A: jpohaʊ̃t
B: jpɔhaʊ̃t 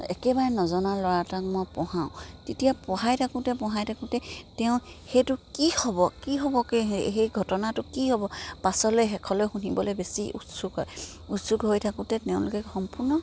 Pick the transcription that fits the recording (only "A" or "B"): B